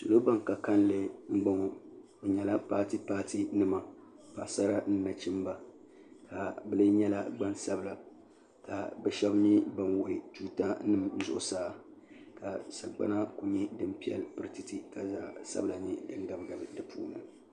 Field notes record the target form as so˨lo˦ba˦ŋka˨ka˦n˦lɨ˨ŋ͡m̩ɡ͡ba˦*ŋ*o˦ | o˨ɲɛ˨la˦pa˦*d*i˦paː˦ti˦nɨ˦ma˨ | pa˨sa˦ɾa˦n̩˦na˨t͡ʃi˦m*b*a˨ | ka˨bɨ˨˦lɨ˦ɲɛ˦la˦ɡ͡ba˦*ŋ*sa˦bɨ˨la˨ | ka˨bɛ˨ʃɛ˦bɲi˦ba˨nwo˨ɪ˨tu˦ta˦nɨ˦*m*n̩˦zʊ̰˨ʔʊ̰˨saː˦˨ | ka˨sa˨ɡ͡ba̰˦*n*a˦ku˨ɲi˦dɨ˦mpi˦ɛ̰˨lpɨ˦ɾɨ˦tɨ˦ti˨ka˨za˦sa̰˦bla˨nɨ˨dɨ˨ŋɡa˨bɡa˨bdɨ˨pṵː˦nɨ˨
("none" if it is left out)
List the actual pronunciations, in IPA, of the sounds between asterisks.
ŋ, t, b, n, m, n

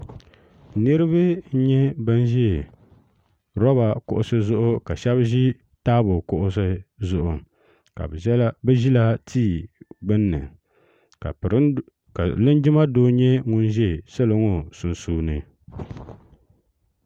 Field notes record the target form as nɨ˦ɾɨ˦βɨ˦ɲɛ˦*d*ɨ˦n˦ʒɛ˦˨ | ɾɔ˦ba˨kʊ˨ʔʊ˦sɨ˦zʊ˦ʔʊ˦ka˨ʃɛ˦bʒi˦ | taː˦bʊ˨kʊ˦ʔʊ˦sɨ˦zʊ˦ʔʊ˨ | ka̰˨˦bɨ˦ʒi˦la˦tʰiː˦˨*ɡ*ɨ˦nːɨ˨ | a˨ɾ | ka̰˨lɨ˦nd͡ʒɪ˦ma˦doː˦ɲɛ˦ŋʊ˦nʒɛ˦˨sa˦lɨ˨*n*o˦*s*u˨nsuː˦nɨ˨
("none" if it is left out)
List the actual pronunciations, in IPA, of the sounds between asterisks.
b, ɡ͡b, ŋ, s

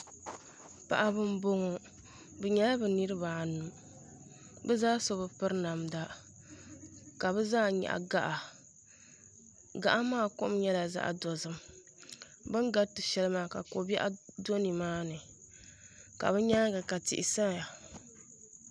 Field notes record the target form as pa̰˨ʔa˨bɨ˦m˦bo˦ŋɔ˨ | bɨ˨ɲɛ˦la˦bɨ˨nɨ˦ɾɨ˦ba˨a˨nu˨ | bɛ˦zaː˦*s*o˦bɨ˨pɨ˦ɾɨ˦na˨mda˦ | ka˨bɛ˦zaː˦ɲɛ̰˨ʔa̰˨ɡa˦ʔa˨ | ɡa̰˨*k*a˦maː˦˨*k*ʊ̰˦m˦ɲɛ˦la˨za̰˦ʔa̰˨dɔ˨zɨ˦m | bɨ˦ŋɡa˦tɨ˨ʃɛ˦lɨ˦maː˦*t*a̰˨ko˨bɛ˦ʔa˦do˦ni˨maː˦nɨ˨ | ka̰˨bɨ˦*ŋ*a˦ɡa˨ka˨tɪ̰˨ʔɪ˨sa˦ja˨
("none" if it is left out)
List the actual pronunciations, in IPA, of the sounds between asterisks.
s, ʔ, k, k, ɲ

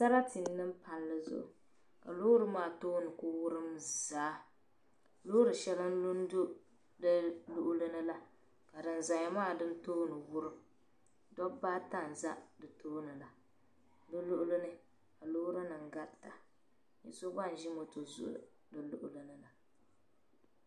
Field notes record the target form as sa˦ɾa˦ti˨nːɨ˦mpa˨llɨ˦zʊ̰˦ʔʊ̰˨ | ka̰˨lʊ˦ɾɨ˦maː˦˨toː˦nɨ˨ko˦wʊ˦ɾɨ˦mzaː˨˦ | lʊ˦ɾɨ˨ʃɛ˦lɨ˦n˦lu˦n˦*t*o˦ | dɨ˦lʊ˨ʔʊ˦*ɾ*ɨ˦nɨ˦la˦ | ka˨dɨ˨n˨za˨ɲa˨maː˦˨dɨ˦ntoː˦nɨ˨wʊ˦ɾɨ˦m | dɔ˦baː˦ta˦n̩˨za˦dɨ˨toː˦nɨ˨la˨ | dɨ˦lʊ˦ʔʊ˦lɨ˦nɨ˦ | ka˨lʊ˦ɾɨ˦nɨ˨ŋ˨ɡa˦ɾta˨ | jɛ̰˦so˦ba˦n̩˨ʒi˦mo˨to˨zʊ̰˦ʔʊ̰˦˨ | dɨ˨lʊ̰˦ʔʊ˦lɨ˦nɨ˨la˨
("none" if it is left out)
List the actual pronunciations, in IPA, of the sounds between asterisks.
d, l

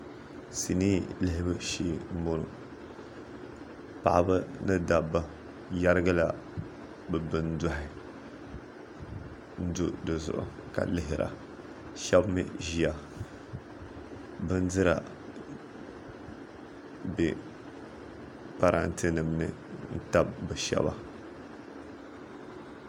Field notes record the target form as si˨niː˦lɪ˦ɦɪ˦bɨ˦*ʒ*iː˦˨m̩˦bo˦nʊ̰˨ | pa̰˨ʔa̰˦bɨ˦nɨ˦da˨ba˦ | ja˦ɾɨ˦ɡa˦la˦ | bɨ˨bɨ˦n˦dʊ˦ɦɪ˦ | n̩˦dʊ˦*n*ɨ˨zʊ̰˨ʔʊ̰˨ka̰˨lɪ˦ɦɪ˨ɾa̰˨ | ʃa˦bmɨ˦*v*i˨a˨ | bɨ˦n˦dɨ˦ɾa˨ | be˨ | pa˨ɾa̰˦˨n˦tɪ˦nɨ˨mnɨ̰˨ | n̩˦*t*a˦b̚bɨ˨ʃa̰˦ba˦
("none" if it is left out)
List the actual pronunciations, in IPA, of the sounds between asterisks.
ʃ, d, ʒ, t

